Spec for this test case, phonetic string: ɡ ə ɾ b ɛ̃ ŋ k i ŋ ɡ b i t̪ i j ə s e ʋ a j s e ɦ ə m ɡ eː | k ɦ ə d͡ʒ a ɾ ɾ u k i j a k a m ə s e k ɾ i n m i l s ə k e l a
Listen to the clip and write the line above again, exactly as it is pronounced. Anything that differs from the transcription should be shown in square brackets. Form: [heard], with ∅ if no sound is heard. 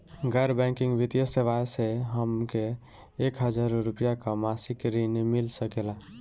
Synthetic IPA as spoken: ɡ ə ɾ b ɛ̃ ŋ k i ŋ ɡ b i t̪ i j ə s e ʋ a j s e ɦ ə m [k] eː | k ɦ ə d͡ʒ a ɾ ɾ u [p] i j a k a m [a] s [i] k ɾ i n m i l s ə k e l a